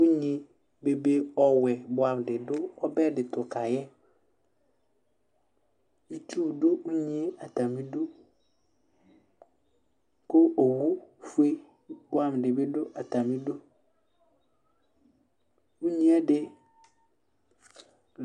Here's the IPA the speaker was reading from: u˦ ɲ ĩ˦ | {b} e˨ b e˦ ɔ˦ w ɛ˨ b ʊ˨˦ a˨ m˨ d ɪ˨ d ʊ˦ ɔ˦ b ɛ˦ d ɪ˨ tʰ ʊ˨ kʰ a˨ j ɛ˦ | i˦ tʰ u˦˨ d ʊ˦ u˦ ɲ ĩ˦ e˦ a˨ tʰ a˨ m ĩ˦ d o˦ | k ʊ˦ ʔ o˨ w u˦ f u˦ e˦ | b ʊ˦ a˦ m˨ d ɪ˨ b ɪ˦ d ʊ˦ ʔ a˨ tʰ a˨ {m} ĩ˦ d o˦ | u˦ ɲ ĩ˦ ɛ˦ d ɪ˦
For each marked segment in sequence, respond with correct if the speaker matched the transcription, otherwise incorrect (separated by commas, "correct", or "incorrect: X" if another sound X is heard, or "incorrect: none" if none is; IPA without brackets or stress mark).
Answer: correct, correct